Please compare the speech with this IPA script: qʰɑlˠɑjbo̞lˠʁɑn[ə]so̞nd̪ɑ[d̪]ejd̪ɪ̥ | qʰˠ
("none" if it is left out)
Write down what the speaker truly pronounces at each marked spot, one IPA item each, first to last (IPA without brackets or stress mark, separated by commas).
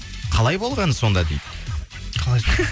ə, d̪